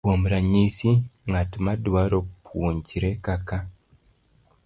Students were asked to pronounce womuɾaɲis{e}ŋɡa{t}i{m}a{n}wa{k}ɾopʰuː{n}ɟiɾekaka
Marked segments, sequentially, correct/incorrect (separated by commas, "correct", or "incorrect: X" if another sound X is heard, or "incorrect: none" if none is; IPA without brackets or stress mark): incorrect: i, correct, correct, incorrect: d, incorrect: none, incorrect: ɲ